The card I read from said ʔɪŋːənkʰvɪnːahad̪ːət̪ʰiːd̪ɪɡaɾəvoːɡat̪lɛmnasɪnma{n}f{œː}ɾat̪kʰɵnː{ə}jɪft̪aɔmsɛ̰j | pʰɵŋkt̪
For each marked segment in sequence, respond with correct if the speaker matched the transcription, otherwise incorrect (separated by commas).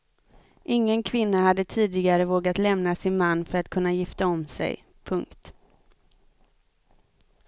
incorrect, incorrect, incorrect